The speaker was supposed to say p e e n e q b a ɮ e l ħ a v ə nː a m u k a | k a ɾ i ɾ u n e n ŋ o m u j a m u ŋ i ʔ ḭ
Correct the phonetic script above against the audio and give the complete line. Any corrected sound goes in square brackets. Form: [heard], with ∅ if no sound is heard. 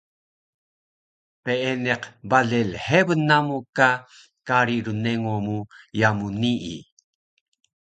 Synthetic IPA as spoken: p e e n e q b a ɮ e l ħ [e] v ə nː a m u k a | k a ɾ i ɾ u n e [∅] ŋ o m u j a m u [n] i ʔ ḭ